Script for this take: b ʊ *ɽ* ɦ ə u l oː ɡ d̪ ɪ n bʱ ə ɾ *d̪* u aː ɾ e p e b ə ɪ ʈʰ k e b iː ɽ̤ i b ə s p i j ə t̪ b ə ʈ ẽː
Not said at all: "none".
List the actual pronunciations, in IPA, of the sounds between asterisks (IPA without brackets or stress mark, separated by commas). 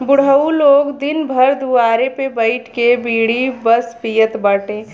ɽ, d̪